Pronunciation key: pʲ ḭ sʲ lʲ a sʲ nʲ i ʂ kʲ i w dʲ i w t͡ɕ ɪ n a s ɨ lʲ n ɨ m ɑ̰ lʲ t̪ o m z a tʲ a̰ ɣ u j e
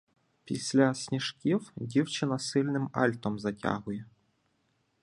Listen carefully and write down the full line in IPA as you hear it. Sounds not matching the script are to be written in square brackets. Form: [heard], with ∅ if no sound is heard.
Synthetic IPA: pʲ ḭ sʲ lʲ a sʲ nʲ i ʂ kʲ i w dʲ i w t͡ɕ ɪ n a s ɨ lʲ n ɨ m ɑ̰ lʲ t̪ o m z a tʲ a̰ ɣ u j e